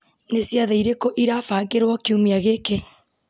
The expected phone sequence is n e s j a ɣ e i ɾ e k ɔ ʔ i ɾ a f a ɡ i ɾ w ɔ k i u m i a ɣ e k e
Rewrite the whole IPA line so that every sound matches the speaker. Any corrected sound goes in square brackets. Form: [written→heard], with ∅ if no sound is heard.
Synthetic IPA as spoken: n e s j a [ɣ→ð] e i ɾ e k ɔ ʔ i ɾ a f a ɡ [i→e] ɾ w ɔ k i u m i a ɣ e k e

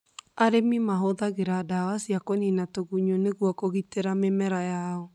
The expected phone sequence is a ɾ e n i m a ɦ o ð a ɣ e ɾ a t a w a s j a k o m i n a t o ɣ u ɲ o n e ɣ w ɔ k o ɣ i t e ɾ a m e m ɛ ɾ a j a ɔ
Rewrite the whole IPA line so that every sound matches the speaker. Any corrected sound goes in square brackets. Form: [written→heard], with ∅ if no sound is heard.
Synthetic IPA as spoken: a ɾ e [n→m] i m a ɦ o ð a ɣ e ɾ a [t→d] a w a s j a k o [m→n] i n a t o ɣ u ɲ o n e ɣ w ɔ k o ɣ i t e ɾ a m e m ɛ ɾ a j a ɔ

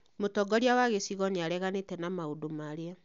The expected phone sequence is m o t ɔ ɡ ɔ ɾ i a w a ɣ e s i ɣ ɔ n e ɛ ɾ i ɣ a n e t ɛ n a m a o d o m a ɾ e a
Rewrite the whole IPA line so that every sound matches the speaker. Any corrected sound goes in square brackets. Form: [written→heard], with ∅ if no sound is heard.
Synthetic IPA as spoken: m o t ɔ ɡ ɔ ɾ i a w a ɣ e s i ɣ ɔ n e [ɛ→a] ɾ [i→ɛ] ɣ a n e t ɛ n a m a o d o m a ɾ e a

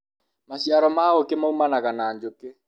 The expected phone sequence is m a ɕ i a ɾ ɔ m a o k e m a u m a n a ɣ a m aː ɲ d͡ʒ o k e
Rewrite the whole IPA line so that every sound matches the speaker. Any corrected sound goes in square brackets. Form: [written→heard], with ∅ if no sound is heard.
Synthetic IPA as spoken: m a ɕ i a ɾ ɔ m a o k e m a u m a n a ɣ a [m→n] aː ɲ d͡ʒ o k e

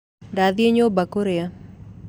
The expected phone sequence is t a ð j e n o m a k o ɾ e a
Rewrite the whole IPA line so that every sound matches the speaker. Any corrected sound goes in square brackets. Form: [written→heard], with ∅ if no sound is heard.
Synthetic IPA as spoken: [t→d] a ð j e [n→ɲ] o [m→b] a k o ɾ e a

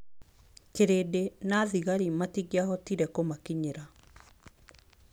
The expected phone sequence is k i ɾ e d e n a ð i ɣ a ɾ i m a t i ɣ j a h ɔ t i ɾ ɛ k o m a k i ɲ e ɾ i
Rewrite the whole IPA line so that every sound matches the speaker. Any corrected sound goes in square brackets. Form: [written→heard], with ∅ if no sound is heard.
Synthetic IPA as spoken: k [i→e] ɾ e d e n a ð i ɣ a ɾ i m a t i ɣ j a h ɔ t i ɾ ɛ k o m a k i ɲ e ɾ [i→a]

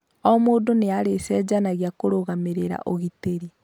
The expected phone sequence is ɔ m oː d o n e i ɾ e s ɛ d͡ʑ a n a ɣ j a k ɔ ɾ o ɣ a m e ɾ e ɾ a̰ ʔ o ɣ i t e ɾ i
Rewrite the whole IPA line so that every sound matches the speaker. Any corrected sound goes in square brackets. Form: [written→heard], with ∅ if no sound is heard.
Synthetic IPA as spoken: ɔ m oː d o n e [i→a] ɾ e s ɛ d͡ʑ a n a ɣ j a k [ɔ→o] ɾ o ɣ a m e ɾ e ɾ a̰ ʔ o ɣ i t e ɾ i

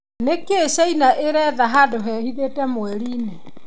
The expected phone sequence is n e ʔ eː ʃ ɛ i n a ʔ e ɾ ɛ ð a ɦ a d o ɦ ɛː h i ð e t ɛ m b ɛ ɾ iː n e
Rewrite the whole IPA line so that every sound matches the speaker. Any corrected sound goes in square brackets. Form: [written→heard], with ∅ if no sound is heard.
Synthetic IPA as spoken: n e [ʔ→k] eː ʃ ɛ i n a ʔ e ɾ ɛ ð a ɦ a d o ɦ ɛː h i ð e t ɛ m [b→w] ɛ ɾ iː n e

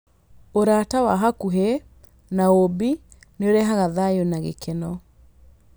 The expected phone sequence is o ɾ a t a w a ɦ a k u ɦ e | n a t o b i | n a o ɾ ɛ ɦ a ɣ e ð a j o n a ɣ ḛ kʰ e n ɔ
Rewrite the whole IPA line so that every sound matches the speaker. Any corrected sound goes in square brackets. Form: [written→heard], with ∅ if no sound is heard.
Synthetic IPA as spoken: o ɾ a t a w a ɦ a k u ɦ e | n a [t→∅] o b i | n [a→e] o ɾ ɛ ɦ a ɣ [e→a] ð a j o n a ɣ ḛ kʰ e n ɔ

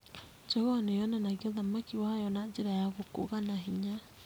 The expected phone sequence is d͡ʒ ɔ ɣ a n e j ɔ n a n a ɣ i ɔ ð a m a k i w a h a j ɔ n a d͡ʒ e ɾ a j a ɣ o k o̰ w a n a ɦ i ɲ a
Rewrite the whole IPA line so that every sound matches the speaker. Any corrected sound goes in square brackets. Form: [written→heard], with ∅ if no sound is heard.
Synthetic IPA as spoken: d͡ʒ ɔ ɣ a n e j ɔ n a n a ɣ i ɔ ð a m a k i w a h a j ɔ n a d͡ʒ e ɾ a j a ɣ o k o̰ [w→ɣ] a n a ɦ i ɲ a

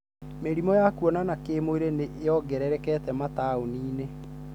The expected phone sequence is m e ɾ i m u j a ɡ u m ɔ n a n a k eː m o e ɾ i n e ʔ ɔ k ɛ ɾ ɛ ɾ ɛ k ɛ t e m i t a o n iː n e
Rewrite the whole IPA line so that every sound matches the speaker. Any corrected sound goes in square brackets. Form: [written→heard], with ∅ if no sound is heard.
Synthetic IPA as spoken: m e ɾ i m [u→ɔ] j a [ɡ→k] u [m→∅] ɔ n a n a k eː m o e ɾ [i→e] n e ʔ ɔ [k→ɡ] ɛ ɾ ɛ ɾ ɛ k ɛ t [e→ɛ] m [i→a] t a o n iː n e

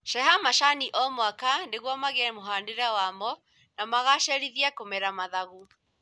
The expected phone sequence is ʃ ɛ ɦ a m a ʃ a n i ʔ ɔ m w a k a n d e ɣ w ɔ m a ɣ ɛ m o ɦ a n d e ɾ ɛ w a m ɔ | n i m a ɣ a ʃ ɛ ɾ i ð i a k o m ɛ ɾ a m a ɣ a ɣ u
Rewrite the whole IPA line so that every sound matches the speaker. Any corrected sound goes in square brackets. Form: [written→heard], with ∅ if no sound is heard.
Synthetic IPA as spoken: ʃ ɛ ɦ a m a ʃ a n i ʔ ɔ m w a k a n d e ɣ w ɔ m a ɣ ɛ m o ɦ a n d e ɾ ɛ w a m ɔ | n [i→a] m a ɣ a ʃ ɛ ɾ i ð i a k o m ɛ ɾ a m a [ɣ→ð] a ɣ u

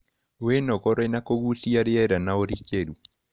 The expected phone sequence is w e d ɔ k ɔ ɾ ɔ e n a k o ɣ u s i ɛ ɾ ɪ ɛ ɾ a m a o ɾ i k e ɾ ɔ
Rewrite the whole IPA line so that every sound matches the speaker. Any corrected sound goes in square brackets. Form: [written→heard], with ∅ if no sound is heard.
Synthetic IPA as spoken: w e [d→n] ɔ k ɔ ɾ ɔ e n a k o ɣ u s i [ɛ→a] ɾ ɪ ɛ ɾ a [m→n] a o ɾ i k e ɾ [ɔ→u]

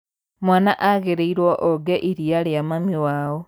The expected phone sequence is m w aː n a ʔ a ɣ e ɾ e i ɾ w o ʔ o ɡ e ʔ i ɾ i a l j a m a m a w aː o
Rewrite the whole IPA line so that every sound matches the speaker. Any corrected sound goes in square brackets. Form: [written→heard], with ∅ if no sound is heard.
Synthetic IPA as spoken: m w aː n a ʔ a ɣ e ɾ e i ɾ w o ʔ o ɡ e ʔ i ɾ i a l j a m a m [a→i] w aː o

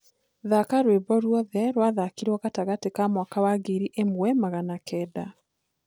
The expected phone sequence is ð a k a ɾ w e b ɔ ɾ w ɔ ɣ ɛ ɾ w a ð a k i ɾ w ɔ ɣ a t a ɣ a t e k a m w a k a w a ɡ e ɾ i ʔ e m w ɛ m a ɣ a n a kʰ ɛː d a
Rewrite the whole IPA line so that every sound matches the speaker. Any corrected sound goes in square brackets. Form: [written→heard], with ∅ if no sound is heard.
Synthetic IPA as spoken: ð a k a ɾ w e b ɔ ɾ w ɔ [ɣ→ð] ɛ ɾ w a ð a k i ɾ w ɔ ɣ a t a ɣ a t e k a m w a k a w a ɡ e ɾ i ʔ e m w ɛ m a ɣ a n a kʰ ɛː d a

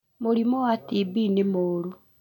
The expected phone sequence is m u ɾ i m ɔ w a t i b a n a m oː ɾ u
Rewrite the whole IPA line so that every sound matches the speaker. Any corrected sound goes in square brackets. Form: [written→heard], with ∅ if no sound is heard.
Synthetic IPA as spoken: m [u→o] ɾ i m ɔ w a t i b [a→i] n [a→e] m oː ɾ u

